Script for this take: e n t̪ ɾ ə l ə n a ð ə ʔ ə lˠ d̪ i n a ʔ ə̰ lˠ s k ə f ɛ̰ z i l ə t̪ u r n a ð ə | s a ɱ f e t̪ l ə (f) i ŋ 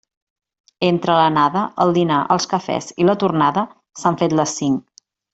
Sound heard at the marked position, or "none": s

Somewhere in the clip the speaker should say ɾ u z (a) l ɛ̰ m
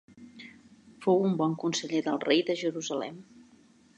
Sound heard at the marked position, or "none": ə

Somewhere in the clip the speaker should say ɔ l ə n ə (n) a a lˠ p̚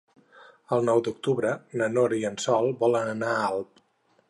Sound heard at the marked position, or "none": n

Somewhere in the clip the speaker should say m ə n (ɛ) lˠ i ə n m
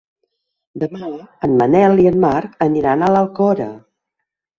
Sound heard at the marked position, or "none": ɛ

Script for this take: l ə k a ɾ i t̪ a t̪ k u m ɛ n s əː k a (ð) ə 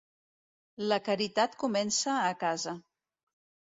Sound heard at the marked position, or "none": z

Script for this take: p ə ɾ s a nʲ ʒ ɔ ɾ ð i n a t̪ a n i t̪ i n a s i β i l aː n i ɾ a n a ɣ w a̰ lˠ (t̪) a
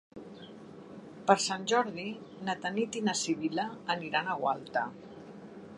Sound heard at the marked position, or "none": t̪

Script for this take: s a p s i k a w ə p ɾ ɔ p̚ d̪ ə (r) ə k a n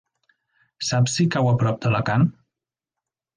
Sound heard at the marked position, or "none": l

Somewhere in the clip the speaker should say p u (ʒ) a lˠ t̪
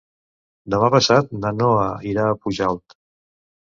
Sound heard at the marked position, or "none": ʒ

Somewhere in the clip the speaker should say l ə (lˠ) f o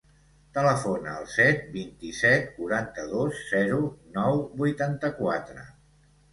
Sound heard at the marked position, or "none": none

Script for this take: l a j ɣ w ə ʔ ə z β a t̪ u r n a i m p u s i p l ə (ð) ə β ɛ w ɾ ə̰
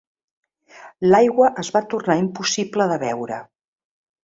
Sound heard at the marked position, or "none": ð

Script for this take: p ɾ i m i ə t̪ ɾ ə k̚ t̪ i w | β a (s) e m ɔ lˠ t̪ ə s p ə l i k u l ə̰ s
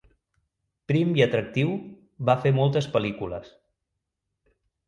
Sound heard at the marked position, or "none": f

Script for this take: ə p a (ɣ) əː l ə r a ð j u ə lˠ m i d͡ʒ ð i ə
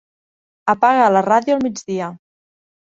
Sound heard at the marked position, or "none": ɣ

